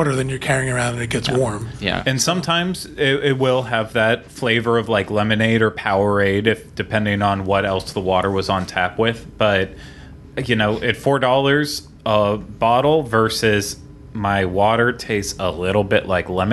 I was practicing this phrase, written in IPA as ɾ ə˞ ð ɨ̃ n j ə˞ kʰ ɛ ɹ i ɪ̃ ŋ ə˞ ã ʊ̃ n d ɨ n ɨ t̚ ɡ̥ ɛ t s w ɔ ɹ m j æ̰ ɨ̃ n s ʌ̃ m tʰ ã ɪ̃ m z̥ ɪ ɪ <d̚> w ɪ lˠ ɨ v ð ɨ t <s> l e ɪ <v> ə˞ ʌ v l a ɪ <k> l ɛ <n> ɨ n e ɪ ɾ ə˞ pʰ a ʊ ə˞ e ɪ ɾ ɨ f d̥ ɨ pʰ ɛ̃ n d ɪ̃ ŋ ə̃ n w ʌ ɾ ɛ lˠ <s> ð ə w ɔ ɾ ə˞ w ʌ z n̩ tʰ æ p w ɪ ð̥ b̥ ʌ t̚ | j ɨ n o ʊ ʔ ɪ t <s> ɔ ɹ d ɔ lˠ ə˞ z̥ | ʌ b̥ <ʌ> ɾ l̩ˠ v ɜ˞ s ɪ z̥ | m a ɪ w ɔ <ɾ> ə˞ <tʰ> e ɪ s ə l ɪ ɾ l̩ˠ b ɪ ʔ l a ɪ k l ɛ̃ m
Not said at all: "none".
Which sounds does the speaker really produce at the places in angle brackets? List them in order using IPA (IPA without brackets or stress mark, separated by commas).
t̚, f, v, k, m, s, f, ɑ, ɾ, tʰ